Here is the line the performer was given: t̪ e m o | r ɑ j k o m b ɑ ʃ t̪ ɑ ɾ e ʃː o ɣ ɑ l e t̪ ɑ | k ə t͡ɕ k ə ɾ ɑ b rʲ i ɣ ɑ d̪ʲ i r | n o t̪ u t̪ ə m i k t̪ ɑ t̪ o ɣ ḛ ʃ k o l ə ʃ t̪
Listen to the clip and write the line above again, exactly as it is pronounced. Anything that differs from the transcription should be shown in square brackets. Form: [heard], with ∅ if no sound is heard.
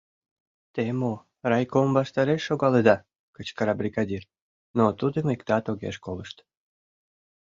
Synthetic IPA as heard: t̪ e m o | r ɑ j k o m b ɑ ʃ t̪ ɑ ɾ e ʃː o ɣ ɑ l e [d̪] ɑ | k ə t͡ɕ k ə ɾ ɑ b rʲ i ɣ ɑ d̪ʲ i r | n o t̪ u [d̪] ə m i k t̪ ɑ t̪ o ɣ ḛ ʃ k o l ə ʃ t̪

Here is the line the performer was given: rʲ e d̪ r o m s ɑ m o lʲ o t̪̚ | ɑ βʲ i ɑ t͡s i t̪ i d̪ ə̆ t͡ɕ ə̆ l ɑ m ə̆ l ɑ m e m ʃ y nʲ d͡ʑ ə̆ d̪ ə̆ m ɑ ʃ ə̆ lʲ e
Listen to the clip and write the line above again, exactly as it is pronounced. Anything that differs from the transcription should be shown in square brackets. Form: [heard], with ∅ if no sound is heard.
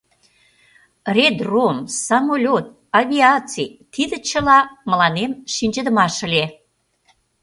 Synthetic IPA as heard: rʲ e d̪ r o m s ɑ m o lʲ o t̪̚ | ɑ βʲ i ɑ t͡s i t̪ i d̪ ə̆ t͡ɕ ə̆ l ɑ m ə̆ l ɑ [n] e m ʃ [i] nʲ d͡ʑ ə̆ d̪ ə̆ m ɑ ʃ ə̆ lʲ e

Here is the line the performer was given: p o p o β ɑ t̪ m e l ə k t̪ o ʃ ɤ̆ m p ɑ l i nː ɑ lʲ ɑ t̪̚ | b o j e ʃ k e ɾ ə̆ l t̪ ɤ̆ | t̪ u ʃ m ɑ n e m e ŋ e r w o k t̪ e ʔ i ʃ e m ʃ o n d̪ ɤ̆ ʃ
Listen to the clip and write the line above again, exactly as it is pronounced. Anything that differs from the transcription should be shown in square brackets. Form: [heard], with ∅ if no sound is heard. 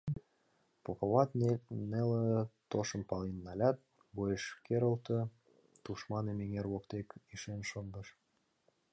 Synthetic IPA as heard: p o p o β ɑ t̪ [n] e l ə [∅] t̪ o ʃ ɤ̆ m p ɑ l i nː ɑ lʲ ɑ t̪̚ | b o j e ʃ k e ɾ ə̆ l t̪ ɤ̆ | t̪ u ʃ m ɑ n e m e ŋ e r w o k t̪ e [k] i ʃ e [n] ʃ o n d̪ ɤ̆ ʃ

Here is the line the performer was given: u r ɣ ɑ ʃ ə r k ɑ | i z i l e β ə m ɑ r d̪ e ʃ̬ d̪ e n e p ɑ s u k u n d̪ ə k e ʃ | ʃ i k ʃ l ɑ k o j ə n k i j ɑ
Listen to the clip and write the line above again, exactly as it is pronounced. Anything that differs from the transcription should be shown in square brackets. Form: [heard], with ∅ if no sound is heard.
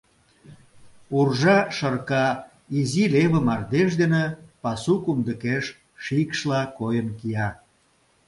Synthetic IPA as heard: u r [ʒ] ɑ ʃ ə r k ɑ | i z i l e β ə m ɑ r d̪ e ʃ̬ d̪ e n e p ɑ s u k u [m] d̪ ə k e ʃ | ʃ i k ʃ l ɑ k o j ə n k i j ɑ

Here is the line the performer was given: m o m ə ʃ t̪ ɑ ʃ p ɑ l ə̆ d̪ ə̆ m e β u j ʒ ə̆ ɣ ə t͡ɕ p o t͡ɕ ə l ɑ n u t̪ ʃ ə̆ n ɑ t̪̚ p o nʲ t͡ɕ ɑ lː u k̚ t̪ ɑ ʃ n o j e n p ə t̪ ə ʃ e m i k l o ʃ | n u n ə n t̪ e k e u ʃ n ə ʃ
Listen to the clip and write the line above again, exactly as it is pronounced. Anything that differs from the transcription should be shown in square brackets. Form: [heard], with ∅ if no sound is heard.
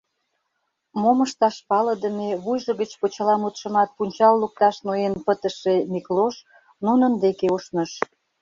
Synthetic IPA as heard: m o m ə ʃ t̪ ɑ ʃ p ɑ l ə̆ d̪ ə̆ m e β u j ʒ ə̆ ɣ ə t͡ɕ p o t͡ɕ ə l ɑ [m] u t̪ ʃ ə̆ [m] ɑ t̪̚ p [u] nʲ t͡ɕ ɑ lː u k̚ t̪ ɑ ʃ n o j e n p ə t̪ ə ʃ e m i k l o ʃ | n u n ə n [d̪] e k e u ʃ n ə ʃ

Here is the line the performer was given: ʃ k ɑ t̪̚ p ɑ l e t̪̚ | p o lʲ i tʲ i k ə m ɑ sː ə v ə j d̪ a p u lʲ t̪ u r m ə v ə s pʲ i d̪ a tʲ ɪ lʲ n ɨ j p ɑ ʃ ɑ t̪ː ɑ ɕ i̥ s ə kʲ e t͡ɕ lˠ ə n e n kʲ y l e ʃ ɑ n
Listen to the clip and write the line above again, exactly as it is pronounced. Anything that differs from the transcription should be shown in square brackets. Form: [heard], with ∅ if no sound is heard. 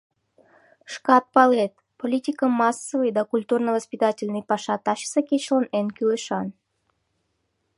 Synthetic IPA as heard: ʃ k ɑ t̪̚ p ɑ l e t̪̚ | p o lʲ i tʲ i k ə m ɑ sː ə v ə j d̪ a [k] u lʲ t̪ u r [n] ə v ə s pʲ i [t̪] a tʲ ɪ lʲ n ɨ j p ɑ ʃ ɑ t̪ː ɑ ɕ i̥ s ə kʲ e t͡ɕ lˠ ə n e n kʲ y l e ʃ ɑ n

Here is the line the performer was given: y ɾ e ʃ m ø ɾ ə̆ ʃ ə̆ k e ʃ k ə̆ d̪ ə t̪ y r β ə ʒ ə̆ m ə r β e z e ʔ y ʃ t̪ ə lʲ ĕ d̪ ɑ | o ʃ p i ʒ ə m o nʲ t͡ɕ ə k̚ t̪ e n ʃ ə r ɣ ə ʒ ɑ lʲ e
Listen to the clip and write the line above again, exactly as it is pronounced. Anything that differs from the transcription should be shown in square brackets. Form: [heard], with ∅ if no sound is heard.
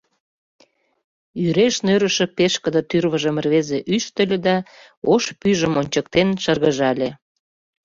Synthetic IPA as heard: y ɾ e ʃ [n] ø ɾ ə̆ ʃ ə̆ [p] e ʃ k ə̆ d̪ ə t̪ y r β ə ʒ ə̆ m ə r β e z e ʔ y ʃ t̪ ə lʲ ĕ d̪ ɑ | o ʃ p [y] ʒ ə m o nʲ t͡ɕ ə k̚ t̪ e n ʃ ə r ɣ ə ʒ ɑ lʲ e

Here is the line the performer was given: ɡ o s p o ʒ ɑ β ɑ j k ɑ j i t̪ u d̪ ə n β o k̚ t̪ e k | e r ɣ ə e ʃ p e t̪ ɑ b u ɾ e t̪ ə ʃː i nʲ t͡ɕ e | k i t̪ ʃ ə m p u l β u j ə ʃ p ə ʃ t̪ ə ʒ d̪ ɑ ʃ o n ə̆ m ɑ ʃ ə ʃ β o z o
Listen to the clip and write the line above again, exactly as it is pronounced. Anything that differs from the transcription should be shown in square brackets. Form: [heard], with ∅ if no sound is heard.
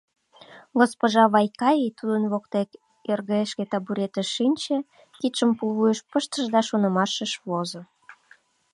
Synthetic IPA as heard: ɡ o s p o ʒ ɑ β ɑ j k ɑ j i t̪ u d̪ ə n β o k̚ t̪ e k | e r ɣ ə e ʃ [k] e t̪ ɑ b u ɾ e t̪ ə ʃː i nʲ t͡ɕ e | k i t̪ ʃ ə m p u l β u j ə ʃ p ə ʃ t̪ ə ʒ d̪ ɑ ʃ o n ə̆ m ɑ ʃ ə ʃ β o z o

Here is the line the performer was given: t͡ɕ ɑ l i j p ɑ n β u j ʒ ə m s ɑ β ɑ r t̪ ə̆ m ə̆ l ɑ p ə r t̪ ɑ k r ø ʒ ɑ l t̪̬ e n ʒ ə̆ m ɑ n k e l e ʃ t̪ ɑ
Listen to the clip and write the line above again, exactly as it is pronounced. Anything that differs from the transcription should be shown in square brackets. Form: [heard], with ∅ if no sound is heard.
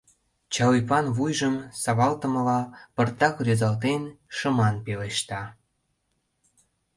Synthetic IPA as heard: t͡ɕ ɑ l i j p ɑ n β u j ʒ ə m s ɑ β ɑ [l] t̪ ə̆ m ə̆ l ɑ p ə r t̪ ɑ k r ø [z] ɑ l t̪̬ e n [ʃ] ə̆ m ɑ n [p] e l e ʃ t̪ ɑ

